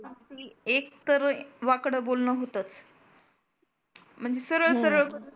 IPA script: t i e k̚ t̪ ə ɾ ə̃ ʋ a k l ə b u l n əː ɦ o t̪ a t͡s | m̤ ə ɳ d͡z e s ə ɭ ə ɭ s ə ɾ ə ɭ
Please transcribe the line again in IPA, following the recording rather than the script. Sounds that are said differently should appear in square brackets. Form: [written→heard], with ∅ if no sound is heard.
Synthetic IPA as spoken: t i e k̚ t̪ ə ɾ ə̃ ʋ a k [l→ɽ] ə b [u→o] l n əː ɦ o t̪ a t͡s | m̤ ə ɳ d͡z e s ə [ɭ→ɾ] ə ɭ s ə ɾ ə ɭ